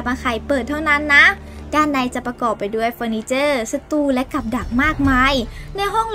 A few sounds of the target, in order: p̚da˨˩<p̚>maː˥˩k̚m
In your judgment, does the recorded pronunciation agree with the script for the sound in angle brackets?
no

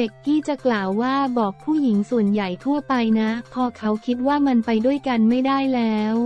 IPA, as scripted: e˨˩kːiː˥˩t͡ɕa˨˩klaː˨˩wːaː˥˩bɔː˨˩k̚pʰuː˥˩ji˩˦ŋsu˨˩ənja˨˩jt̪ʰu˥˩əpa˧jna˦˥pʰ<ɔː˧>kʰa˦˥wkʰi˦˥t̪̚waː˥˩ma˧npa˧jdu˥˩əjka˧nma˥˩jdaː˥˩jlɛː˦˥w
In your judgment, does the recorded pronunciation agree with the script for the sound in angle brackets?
yes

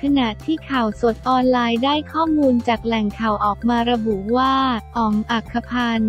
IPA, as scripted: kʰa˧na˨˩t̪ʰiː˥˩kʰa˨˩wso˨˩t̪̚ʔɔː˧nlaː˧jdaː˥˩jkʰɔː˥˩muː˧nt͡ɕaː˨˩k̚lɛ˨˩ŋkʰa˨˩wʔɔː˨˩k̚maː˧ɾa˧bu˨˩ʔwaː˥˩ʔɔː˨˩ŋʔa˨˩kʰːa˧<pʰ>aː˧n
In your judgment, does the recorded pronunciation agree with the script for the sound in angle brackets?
yes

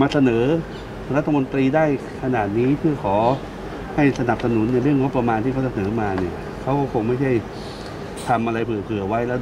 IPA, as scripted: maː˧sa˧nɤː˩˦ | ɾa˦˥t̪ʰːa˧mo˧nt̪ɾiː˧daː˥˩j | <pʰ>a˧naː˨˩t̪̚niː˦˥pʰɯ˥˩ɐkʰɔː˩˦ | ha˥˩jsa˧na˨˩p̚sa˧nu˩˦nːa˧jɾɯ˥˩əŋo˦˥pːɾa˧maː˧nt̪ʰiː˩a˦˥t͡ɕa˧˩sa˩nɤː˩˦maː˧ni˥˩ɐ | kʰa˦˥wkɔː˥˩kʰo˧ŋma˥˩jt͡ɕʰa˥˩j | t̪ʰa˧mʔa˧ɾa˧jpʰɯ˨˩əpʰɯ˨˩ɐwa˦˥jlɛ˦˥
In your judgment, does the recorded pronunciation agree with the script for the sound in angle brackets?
no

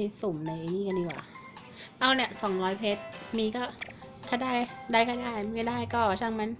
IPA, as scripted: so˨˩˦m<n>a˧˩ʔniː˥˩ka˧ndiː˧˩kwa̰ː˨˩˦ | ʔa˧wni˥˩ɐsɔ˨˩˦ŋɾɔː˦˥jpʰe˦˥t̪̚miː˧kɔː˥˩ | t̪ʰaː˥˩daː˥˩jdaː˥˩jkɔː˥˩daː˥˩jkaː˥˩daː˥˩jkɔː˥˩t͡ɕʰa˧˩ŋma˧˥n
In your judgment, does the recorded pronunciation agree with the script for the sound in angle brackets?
yes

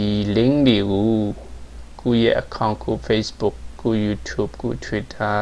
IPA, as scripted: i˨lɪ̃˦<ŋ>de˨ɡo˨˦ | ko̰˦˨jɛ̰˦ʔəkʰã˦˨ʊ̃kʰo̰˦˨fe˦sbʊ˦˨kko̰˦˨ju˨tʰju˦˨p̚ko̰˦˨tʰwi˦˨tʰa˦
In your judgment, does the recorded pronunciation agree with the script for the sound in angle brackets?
yes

